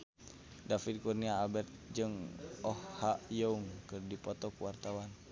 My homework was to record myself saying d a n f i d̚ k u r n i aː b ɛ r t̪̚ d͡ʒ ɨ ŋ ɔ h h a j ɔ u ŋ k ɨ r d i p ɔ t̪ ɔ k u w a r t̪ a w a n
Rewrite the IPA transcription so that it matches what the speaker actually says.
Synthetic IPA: d a f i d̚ k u r n i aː b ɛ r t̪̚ d͡ʒ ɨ ŋ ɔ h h a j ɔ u ŋ k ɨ r d i p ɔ t̪ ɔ k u w a r t̪ a w a n